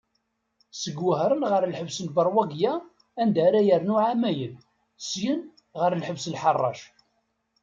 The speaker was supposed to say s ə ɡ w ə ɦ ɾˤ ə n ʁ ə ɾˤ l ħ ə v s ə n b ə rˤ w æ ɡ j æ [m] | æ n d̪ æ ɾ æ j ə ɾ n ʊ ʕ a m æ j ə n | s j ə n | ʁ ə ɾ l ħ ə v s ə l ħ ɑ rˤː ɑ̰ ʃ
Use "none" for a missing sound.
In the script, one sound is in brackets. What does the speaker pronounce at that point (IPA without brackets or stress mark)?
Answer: none